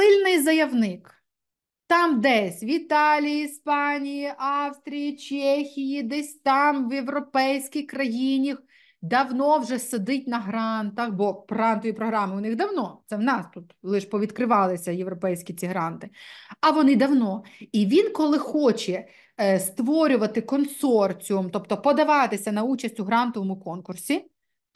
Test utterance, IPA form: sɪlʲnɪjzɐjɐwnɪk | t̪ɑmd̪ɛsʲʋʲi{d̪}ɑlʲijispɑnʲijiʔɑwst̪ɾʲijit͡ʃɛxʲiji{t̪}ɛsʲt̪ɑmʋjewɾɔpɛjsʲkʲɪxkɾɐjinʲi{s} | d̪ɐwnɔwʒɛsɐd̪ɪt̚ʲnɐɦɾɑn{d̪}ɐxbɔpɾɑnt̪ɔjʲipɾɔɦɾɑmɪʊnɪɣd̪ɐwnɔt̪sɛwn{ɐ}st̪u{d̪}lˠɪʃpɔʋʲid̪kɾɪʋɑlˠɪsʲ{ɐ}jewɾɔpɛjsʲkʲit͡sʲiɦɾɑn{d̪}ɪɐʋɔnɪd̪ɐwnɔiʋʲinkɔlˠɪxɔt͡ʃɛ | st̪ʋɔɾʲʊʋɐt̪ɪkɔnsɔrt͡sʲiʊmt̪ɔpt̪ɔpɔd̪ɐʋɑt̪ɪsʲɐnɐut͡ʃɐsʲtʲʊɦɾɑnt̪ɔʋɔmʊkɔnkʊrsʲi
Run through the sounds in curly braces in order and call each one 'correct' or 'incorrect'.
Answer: incorrect, incorrect, incorrect, incorrect, incorrect, incorrect, correct, incorrect

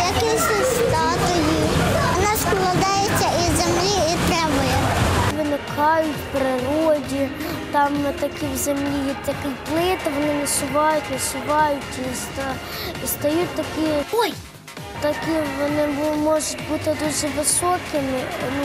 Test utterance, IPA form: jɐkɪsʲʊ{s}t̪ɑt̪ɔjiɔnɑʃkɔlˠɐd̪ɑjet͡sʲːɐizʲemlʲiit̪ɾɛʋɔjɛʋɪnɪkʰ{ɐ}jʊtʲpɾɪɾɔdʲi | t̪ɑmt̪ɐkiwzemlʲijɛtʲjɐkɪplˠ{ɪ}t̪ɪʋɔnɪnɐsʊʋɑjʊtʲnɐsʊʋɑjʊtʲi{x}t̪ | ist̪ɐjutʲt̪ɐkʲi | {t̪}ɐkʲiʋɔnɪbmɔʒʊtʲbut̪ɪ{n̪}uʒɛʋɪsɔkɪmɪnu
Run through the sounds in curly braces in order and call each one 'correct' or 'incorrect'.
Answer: correct, incorrect, correct, incorrect, correct, incorrect

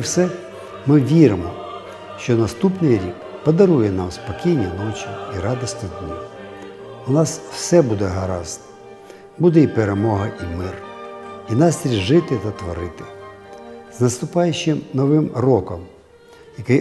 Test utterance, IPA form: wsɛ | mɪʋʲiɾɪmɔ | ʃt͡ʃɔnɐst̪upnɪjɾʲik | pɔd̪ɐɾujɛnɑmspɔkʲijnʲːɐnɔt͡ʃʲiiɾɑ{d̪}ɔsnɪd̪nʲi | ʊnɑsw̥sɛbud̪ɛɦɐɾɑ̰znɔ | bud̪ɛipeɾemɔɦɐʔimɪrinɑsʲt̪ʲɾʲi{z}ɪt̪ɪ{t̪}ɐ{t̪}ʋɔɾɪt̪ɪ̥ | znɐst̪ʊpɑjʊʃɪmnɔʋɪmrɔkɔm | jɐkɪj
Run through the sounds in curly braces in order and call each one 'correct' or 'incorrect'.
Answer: correct, incorrect, correct, correct

